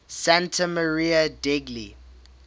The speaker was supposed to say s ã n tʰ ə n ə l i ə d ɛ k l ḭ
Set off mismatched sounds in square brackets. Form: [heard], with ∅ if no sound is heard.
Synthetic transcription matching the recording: s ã n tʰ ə [m] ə [ɹ] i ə d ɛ [ɡ] l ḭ